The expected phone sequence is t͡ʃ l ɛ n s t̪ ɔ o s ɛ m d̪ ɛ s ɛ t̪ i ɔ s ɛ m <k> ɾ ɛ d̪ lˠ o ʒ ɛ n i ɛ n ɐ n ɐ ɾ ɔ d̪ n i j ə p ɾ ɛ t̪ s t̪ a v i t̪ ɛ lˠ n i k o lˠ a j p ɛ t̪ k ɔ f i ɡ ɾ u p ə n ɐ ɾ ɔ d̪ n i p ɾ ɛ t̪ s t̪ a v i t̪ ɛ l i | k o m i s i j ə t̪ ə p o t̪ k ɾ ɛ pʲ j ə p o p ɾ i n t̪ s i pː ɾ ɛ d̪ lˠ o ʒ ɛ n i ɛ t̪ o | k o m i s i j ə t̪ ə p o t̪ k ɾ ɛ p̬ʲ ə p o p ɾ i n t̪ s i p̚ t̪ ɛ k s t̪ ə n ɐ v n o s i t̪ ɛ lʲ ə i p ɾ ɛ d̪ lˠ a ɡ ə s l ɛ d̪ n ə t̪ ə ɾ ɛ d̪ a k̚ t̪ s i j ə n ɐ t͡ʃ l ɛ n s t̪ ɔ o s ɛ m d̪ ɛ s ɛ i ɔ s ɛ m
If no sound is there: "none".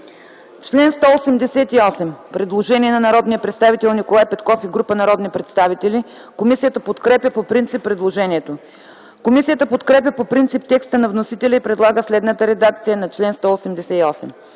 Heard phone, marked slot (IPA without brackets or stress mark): p